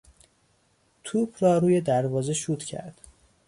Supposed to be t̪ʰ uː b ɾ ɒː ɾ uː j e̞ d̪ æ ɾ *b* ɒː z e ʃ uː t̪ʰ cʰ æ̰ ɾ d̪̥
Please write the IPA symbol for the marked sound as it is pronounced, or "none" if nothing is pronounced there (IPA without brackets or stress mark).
v